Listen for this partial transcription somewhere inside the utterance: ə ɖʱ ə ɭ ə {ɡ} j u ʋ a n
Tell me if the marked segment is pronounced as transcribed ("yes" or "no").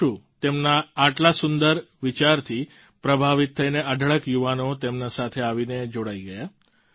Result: no